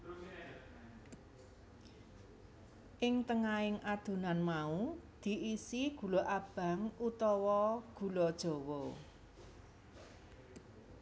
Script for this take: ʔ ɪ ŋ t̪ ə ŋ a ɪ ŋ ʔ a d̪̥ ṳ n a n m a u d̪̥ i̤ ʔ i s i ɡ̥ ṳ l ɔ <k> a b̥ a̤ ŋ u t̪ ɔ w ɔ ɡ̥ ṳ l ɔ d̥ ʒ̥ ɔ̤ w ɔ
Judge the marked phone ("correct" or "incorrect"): incorrect